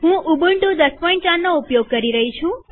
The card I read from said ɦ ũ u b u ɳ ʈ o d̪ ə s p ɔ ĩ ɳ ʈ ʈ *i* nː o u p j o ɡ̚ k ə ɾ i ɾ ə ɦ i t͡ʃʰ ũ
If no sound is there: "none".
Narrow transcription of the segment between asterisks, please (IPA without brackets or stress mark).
a